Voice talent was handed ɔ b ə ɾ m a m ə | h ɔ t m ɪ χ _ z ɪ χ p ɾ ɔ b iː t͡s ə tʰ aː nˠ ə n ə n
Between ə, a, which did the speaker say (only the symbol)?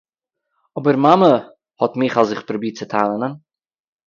a